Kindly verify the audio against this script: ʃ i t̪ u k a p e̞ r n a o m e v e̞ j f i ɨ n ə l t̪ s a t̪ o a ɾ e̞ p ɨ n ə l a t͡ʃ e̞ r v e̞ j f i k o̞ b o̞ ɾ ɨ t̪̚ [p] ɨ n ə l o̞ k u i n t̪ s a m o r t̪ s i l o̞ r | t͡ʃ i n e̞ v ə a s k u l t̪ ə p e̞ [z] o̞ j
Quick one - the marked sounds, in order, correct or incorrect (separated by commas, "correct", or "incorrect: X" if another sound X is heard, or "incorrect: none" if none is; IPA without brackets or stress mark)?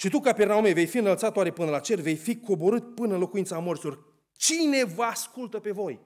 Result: correct, incorrect: v